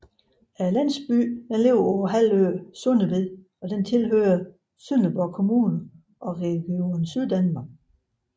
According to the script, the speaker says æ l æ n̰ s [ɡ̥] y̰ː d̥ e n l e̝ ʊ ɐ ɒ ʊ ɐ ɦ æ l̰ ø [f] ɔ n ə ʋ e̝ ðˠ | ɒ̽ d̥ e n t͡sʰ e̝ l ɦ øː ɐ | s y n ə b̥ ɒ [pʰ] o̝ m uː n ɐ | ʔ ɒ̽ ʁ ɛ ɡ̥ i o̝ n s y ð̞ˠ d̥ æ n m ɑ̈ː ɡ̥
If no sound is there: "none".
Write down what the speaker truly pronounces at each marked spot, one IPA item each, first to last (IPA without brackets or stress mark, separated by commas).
b̥, s, kʰ